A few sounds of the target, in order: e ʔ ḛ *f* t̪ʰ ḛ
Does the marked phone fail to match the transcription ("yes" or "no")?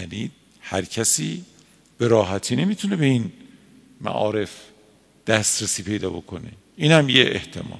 yes